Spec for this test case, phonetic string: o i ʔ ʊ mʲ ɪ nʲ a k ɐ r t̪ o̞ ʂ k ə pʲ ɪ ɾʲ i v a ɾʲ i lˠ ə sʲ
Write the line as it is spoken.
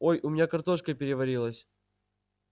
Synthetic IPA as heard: o j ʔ ʊ mʲ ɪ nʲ a k ɐ r t̪ o̞ ʂ k ə pʲ ɪ ɾʲ ɪ v ɐ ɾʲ i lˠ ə sʲ